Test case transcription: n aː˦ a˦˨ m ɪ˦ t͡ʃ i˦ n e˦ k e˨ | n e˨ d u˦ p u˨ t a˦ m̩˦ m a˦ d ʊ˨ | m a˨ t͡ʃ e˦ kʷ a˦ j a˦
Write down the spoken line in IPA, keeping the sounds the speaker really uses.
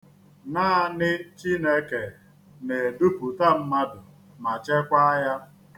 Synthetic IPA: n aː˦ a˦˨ n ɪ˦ t͡ʃ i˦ n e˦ k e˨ | n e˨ d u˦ p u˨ t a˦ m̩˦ m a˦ d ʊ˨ | m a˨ t͡ʃ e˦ kʷ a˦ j a˦